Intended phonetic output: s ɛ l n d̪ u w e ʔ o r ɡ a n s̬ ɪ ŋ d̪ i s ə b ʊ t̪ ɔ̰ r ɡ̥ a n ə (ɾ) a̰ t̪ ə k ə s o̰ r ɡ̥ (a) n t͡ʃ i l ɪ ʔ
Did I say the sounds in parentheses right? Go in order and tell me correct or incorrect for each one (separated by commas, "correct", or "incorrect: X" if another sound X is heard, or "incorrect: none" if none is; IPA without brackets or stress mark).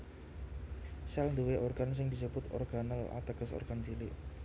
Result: incorrect: l, correct